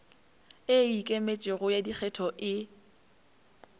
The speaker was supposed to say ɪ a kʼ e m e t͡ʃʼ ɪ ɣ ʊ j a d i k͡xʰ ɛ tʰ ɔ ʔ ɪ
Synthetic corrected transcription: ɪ i kʼ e m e t͡ʃʼ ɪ ɣ ʊ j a d i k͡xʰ ɛ tʰ ɔ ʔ ɪ